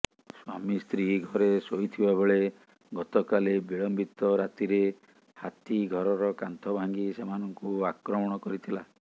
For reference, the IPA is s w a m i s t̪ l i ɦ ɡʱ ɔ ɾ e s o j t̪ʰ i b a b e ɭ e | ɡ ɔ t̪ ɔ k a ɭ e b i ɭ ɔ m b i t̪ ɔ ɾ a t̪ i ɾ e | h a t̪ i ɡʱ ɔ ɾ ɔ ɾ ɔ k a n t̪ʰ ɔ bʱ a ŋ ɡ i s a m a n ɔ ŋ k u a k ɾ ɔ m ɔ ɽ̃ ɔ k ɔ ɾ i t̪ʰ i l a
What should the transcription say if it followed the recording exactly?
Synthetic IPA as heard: s w a m i s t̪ ɾ i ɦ ɡʱ ɔ ɾ e s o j t̪ʰ i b a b e ɭ e | ɡ ɔ t̪ ɔ k a l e b i ɭ ɔ m b i t̪ ɔ ɾ a t̪ i ɾ e | h a t̪ i ɡʱ ɔ ɾ ɔ ɾ ɔ k a n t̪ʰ ɔ bʱ a ŋ ɡ i s e m a n ɔ ŋ k u a k ɾ ɔ m ɔ ɽ̃ ɔ k ɔ ɾ i t̪ʰ i l a

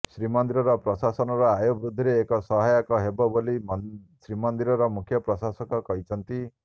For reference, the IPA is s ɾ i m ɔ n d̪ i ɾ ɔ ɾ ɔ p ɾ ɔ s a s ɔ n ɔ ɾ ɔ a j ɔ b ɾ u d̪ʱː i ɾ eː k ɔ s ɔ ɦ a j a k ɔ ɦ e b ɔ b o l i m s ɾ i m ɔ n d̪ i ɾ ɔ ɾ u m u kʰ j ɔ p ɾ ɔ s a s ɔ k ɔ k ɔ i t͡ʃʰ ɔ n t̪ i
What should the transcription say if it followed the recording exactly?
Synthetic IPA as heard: s ɾ i m ɔ n d̪ i ɾ ɔ ɾ ɔ p ɾ ɔ s a s ɔ n ɔ ɾ ɔ a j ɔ b ɾ u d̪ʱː i ɾ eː k ɔ s ɔ ɦ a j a k ɔ ɦ e b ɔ b o l i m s ɾ i m ɔ n d̪ i ɾ ɔ ɾ ɔ m u kʰ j ɔ p ɾ ɔ s a s ɔ k ɔ k ɔ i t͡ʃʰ ɔ n t̪ i

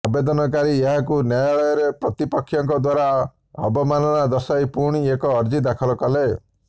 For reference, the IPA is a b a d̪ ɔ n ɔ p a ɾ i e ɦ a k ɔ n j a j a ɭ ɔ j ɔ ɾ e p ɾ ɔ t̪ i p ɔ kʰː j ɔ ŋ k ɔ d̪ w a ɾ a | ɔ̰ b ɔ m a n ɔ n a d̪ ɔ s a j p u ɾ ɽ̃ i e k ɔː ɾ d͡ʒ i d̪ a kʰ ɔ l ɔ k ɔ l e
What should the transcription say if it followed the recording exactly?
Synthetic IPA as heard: a b e d̪ ɔ n ɔ k a ɾ i e ɦ a k u n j a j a ɭ ɔ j ɔ ɾ e p ɾ ɔ t̪ i p ɔ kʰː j ɔ ŋ k ɔ d̪ w a ɾ a | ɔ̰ b ɔ m a n ɔ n a d̪ ɔ s a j p u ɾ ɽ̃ i e k ɔː ɾ d͡ʒ i d̪ a kʰ ɔ l ɔ k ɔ l e

